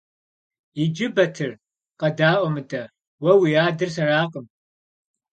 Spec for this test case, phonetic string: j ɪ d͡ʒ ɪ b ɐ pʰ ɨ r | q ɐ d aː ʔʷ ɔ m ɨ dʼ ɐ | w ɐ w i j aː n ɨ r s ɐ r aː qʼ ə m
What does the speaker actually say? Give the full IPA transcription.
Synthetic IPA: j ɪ d͡ʒ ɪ b ɐ tʰ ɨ r | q ɐ d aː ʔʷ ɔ m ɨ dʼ ɐ | w ɐ w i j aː d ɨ r s ɐ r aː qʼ ə m